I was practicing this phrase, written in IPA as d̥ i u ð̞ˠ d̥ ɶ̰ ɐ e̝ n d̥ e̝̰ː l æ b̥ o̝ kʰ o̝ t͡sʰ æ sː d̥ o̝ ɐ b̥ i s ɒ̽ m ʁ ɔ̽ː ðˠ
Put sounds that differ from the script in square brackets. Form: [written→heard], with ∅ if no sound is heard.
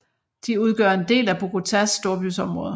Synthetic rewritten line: d̥ i u ð̞ˠ [d̥→ɡ̥] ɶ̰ ɐ e̝ n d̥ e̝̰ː l æ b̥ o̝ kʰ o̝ t͡sʰ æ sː d̥ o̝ ɐ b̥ [i→y] s ɒ̽ m ʁ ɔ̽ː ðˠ